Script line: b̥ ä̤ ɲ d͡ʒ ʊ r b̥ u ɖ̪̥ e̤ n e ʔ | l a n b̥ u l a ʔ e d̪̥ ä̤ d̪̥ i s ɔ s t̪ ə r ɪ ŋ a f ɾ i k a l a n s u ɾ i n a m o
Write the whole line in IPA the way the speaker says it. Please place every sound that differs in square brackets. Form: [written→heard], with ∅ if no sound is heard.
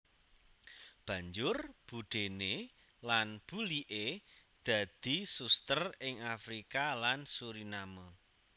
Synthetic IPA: b̥ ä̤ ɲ d͡ʒ ʊ r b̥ u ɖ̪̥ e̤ n e [ʔ→∅] | l a n b̥ u l [a→i] ʔ e d̪̥ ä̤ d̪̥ i s [ɔ→u] s t̪ ə r ɪ ŋ a f ɾ i k a l a n s u ɾ i n a m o